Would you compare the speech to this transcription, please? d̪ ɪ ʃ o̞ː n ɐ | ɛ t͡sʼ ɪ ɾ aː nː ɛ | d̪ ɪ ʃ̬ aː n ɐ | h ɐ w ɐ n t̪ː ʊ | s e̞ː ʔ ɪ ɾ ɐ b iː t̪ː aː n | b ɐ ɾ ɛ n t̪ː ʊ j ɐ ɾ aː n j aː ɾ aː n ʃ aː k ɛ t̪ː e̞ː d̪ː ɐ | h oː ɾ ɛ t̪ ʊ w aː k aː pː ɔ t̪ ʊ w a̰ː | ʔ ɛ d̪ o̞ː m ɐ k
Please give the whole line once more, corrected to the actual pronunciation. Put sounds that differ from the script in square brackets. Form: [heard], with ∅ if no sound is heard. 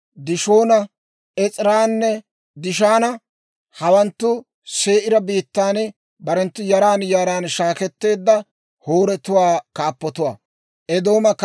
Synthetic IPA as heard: d̪ ɪ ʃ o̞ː n ɐ | ɛ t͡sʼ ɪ ɾ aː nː ɛ | d̪ ɪ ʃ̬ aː n ɐ | h ɐ w ɐ n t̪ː ʊ | s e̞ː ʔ ɪ ɾ ɐ b iː t̪ː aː n | b ɐ ɾ ɛ n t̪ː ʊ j ɐ ɾ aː n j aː ɾ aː n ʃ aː k ɛ t̪ː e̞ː d̪ː ɐ | h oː ɾ ɛ t̪ ʊ w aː k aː pː ɔ t̪ ʊ w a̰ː | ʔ ɛ d̪ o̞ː m ɐ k